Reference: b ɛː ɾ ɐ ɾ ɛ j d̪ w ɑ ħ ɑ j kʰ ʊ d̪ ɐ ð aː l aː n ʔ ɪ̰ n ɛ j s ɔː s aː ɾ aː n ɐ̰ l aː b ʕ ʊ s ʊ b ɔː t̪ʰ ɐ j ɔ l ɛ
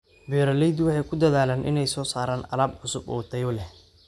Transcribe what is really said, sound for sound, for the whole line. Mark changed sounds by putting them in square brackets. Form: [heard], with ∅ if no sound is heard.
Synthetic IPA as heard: b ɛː ɾ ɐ [l] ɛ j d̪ w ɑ ħ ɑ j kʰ ʊ d̪ ɐ ð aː l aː n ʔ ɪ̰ n ɛ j s ɔː s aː ɾ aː n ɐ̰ l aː b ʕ ʊ s ʊ b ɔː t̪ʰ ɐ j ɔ l ɛ